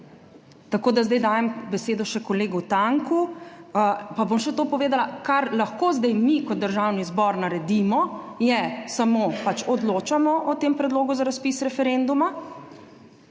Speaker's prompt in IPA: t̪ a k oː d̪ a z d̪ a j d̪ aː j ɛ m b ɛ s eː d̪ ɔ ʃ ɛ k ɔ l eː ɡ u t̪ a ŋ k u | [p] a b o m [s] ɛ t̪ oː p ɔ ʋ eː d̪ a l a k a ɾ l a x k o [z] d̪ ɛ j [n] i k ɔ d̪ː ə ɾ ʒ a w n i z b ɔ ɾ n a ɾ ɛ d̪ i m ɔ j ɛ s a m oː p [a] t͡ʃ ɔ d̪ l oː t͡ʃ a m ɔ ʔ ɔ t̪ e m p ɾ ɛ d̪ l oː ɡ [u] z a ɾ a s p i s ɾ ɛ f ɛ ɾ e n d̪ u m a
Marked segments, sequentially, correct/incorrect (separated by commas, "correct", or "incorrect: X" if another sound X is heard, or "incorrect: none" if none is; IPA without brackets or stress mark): correct, incorrect: ʃ, correct, incorrect: m, correct, correct